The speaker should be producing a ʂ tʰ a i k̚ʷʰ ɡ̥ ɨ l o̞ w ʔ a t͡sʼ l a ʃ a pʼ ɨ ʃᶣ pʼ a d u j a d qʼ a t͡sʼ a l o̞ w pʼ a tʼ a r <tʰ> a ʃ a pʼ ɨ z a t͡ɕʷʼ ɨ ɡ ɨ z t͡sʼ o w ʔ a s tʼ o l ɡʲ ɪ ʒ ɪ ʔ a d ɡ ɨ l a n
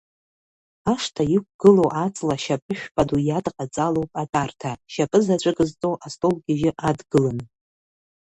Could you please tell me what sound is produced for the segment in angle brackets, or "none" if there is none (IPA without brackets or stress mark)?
tʰ